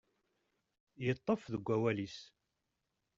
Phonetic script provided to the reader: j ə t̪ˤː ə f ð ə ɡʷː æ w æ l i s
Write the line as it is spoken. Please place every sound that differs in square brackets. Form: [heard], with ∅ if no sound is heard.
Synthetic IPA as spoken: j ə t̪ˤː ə f ð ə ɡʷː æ w æ l i s